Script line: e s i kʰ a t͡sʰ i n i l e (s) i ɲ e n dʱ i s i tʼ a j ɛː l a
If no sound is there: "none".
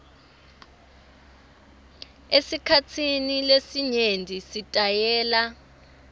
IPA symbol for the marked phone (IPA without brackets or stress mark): s